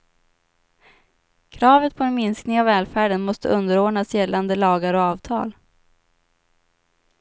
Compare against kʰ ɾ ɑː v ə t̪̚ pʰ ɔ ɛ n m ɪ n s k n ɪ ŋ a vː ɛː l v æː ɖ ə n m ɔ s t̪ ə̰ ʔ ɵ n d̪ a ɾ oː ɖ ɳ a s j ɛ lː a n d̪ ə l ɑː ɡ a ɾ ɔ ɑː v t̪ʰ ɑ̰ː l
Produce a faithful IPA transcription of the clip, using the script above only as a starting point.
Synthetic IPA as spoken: kʰ ɾ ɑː v ə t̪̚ pʰ ɔ ɛ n m ɪ n s k n ɪ ŋ a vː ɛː l f æː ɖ ə n m ɔ s t̪ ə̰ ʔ ɵ n d̪ ə ɾ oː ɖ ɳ a s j ɛ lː a n d̪ ə l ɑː ɡ a ɾ ɔ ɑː v t̪ʰ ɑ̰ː l